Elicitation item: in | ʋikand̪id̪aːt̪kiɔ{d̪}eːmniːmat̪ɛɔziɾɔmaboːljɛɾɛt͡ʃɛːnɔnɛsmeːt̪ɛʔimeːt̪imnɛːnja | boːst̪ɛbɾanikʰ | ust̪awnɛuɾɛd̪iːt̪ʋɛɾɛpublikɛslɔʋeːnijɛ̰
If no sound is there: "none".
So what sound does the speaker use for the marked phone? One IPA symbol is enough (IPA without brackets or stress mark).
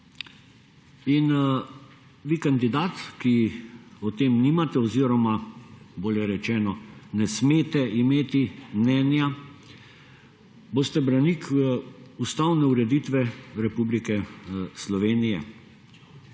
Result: t̪